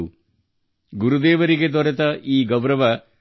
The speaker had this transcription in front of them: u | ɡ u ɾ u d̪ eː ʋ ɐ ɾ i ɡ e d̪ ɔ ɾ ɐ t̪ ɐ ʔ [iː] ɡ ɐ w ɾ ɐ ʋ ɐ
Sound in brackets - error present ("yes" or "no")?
no